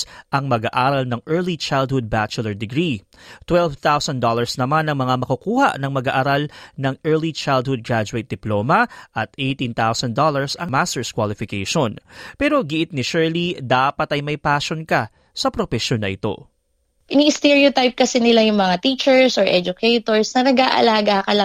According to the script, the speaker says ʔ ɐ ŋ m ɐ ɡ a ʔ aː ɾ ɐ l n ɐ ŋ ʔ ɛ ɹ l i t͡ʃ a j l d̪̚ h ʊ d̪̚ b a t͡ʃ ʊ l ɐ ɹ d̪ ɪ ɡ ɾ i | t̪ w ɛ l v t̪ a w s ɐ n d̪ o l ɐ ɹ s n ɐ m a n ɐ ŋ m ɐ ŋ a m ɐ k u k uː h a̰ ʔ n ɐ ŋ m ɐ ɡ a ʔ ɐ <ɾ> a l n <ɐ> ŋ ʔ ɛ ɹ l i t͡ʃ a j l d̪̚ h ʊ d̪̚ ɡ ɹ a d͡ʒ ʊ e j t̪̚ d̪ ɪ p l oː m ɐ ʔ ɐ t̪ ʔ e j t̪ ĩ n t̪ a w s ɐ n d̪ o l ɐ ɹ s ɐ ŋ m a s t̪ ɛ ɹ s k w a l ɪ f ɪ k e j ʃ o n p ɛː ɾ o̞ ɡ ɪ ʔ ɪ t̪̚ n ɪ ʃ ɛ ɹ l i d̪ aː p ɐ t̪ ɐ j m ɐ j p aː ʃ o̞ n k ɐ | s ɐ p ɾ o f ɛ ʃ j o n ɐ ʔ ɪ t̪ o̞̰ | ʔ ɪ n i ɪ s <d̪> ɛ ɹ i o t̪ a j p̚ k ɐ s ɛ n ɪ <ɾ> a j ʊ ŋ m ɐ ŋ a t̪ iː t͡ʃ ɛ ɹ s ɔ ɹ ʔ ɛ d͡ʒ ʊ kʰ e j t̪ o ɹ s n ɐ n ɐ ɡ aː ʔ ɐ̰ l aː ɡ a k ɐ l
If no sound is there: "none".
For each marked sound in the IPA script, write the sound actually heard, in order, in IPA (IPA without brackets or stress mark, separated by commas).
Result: ɾ, ɐ, t̪, l